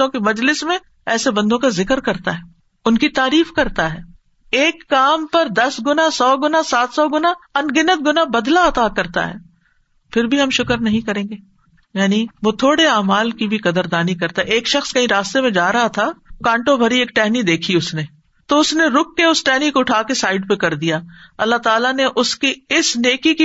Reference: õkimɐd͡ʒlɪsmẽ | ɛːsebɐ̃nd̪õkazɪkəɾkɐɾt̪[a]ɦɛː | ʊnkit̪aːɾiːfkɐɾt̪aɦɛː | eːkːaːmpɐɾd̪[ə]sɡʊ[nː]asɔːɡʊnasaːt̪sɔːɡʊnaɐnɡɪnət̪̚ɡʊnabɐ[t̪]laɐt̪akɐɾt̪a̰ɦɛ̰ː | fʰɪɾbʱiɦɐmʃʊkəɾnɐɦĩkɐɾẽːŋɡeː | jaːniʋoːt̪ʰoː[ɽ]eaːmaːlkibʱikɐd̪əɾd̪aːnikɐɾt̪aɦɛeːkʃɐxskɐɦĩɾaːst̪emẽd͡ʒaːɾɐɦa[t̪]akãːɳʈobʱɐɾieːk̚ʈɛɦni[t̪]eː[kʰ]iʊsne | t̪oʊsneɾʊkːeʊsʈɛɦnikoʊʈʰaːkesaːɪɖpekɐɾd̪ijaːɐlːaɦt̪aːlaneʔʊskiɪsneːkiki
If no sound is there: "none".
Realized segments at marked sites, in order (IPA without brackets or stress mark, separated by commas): a, ɐ, n, d̪, ɽ, t̪ʰ, d̪, kʰ